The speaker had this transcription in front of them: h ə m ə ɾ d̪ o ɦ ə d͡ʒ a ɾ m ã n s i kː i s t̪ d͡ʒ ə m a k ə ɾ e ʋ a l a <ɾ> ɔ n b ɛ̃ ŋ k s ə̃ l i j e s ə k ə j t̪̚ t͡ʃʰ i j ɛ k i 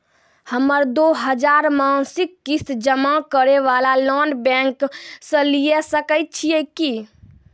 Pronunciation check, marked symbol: incorrect: l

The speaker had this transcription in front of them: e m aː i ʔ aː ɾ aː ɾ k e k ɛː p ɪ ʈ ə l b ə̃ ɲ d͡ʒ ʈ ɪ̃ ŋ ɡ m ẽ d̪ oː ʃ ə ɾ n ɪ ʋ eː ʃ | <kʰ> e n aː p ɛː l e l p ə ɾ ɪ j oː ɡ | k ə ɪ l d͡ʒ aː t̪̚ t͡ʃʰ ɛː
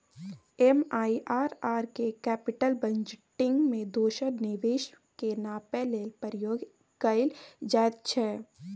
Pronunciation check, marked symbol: incorrect: k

